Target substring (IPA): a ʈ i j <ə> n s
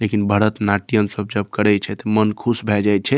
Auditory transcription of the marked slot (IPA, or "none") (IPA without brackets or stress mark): ə